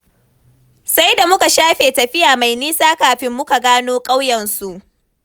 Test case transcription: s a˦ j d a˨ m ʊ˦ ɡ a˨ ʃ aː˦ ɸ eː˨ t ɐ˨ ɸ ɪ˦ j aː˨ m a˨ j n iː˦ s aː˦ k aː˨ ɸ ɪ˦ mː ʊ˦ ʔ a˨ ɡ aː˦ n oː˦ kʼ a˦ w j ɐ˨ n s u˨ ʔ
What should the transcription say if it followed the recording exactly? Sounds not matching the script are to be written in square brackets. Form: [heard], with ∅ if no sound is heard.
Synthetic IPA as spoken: s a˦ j d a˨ m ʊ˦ [k] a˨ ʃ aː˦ ɸ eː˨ t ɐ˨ ɸ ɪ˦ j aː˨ m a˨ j n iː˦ s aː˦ k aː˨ ɸ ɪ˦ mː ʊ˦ [k] a˨ ɡ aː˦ n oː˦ kʼ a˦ w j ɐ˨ n s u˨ ʔ